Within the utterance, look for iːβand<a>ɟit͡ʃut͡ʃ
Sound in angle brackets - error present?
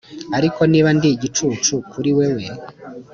yes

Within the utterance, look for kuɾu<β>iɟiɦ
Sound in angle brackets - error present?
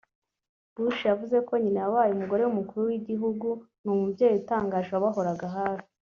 yes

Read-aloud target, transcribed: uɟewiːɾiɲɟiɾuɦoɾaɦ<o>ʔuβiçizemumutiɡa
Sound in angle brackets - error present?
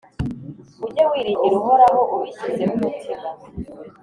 no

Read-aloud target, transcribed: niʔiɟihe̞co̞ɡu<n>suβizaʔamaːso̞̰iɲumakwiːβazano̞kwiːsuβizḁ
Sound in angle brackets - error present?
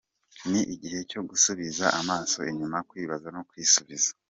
yes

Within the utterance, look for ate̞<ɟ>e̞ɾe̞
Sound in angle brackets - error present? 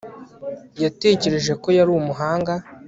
yes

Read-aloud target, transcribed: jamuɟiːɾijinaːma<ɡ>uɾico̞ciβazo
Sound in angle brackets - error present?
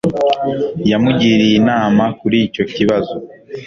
yes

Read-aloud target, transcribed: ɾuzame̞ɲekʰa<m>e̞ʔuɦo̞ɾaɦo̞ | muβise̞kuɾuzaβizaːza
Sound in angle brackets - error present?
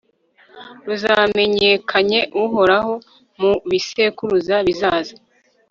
yes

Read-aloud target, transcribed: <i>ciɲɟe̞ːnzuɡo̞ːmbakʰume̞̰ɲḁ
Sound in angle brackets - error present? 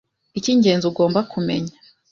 no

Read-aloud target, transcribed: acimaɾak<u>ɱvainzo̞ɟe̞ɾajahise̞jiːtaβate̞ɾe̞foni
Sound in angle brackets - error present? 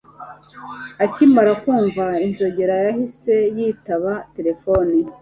yes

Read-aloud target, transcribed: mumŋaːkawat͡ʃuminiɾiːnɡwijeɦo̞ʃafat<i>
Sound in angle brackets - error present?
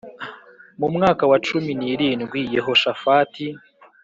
no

